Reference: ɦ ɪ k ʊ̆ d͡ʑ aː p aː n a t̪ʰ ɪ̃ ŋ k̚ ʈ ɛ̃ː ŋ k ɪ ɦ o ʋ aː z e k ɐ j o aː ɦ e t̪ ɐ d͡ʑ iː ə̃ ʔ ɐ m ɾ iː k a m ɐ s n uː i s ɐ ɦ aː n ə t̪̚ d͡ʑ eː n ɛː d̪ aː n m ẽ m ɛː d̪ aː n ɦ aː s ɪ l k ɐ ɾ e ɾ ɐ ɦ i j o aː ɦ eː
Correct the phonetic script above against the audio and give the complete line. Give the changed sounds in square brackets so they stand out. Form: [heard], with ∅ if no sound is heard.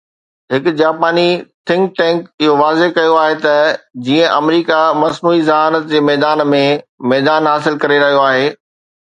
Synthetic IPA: ɦ ɪ k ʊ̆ d͡ʑ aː p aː n [i] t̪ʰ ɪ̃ ŋ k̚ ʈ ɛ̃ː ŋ k ɪ ɦ o ʋ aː z e k ɐ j o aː ɦ e t̪ ɐ d͡ʑ iː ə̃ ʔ ɐ m ɾ iː k a m ɐ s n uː i [z] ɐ ɦ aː n ə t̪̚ d͡ʑ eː [m] ɛː d̪ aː n m ẽ m ɛː d̪ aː n ɦ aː s ɪ l k ɐ ɾ e ɾ ɐ ɦ i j o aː ɦ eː

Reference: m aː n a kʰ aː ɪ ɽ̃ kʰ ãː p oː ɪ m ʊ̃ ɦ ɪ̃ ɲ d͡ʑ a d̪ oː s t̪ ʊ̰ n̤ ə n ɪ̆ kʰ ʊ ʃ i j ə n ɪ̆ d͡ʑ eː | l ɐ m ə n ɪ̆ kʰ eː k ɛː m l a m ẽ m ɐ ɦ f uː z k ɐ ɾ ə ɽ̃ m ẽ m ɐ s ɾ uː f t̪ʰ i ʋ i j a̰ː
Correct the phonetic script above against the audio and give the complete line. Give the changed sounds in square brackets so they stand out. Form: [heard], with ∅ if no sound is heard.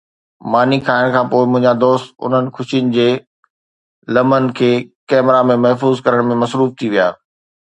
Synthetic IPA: m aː n [i] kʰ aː ɪ ɽ̃ kʰ ãː p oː ɪ m ʊ̃ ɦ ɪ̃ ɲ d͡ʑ a d̪ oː s t̪ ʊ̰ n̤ ə n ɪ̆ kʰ ʊ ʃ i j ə n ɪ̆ d͡ʑ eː | l ɐ m ə n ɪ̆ kʰ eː k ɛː m [ɾ] a m ẽ m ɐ ɦ f uː z k ɐ ɾ ə ɽ̃ m ẽ m ɐ s ɾ uː f t̪ʰ i ʋ i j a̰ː

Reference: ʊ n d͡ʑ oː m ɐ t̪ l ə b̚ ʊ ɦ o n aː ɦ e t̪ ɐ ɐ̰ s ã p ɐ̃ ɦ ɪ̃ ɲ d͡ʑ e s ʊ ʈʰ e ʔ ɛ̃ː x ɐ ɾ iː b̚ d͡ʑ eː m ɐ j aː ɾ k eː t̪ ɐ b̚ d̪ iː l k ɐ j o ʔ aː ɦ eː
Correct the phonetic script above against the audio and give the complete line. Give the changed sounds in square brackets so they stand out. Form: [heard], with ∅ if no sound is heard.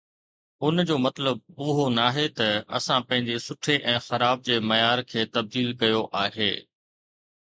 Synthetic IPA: ʊ n d͡ʑ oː m ɐ t̪ l ə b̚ ʊ ɦ o n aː ɦ e t̪ ɐ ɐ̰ s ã p ɐ̃ ɦ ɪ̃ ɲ d͡ʑ e s ʊ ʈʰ e ʔ ɛ̃ː x ɐ ɾ [aː] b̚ d͡ʑ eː m ɐ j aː ɾ [kʰ] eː t̪ ɐ b̚ d̪ iː l k ɐ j o ʔ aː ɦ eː

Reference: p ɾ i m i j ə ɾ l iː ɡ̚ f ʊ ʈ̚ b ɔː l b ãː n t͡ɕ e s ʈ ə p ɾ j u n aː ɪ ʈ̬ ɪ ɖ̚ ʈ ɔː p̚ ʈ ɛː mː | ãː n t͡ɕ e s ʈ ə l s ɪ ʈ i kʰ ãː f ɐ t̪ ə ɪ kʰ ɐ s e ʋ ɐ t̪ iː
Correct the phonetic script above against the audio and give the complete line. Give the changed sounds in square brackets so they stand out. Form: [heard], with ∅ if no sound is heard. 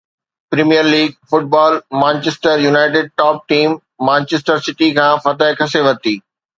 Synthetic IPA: p ɾ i m i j ə ɾ l iː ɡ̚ f ʊ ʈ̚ b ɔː l [m] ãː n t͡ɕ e s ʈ ə [∅] ɾ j u n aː ɪ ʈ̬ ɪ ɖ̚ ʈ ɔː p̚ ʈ [iː] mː | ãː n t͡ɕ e s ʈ ə [ɾ] s ɪ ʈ i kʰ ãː f ɐ t̪ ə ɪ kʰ ɐ s e ʋ ɐ t̪ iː

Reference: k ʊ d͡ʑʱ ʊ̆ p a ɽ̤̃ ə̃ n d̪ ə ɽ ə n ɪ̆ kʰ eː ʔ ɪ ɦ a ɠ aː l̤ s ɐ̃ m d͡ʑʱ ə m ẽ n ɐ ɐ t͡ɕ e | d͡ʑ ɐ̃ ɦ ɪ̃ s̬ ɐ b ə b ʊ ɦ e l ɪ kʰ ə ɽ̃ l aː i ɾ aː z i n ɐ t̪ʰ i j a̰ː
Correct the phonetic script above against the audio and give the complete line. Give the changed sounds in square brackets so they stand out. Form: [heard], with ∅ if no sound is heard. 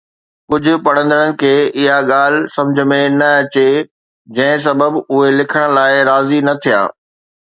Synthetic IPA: k ʊ d͡ʑʱ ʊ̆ p [ɐ] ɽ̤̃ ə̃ n d̪ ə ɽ ə n ɪ̆ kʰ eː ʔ ɪ ɦ a ɠ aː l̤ s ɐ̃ m d͡ʑʱ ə m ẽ n ɐ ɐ t͡ɕ e | d͡ʑ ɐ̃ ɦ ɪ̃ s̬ ɐ b ə b ʊ ɦ e l ɪ kʰ ə ɽ̃ l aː [ɪ] ɾ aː z i n ɐ t̪ʰ i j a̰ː

